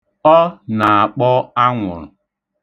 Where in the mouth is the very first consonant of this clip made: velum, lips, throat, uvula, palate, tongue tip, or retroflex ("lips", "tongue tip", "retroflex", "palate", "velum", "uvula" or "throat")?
tongue tip